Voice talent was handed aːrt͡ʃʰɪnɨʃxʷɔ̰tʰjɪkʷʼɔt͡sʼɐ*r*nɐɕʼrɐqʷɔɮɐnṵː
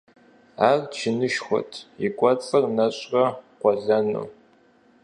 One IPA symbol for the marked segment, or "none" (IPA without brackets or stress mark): r